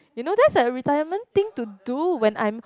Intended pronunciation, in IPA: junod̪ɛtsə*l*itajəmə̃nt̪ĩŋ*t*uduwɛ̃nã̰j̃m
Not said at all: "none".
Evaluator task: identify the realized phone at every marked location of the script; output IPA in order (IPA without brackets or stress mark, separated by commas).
ɹ, t